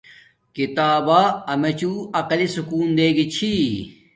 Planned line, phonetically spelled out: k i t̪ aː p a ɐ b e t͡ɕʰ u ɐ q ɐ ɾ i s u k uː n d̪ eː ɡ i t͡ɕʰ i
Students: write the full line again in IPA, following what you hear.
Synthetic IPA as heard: k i t̪ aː b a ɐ m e t͡ɕ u ɐ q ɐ l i s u k uː n d̪ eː ɡ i t͡ɕʰ i